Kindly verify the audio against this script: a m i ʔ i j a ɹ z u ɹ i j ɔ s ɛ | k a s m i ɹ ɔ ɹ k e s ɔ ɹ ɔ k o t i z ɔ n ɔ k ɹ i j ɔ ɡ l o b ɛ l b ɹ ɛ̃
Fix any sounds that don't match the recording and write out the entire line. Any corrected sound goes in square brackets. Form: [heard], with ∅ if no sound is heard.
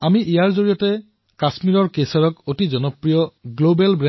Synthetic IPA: a m i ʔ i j a ɹ z [o] ɹ i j ɔ [t] ɛ | k a s m i ɹ ɔ ɹ k e s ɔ ɹ ɔ k o t i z ɔ n ɔ [p] ɹ i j ɔ ɡ l o b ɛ l b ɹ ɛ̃